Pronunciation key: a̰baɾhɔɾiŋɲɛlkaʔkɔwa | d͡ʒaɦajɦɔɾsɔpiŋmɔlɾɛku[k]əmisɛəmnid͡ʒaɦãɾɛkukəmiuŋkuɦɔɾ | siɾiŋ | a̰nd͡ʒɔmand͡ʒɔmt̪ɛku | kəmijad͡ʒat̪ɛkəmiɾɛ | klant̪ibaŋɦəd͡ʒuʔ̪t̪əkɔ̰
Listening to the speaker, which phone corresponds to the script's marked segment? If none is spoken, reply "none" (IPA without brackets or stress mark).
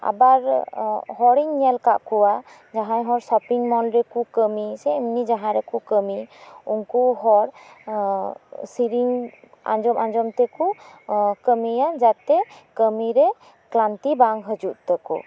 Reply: k